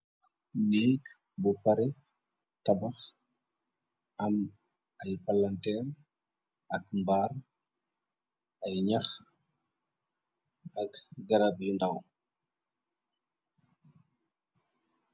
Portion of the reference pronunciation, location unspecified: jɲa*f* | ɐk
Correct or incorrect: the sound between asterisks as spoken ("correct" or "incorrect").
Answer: incorrect